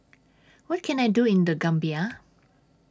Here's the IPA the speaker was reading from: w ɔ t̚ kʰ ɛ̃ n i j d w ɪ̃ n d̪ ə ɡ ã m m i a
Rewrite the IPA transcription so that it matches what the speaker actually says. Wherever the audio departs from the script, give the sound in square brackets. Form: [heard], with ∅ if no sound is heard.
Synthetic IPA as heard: w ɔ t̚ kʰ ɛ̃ n [a] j d [u] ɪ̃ n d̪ ə ɡ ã m [b] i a